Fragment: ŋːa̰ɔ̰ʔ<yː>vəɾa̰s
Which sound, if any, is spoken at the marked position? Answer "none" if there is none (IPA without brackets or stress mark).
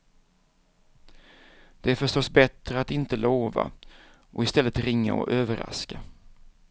øː